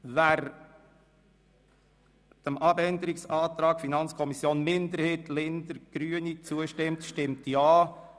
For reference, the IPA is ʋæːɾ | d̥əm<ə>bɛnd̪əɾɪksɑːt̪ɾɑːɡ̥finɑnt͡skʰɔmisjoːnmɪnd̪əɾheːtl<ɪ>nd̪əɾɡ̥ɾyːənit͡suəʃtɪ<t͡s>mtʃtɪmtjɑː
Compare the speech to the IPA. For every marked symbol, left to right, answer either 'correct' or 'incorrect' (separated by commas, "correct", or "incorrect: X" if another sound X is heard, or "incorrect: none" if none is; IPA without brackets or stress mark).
incorrect: ɑ, correct, incorrect: none